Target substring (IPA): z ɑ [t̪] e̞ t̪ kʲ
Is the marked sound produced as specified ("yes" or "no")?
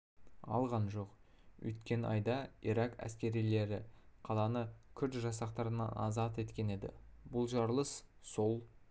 yes